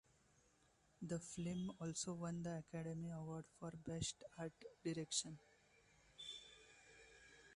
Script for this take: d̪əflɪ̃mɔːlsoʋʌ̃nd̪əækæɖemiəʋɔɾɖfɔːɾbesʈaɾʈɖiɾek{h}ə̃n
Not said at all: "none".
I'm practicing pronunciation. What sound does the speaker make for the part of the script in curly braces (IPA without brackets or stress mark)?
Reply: ʃ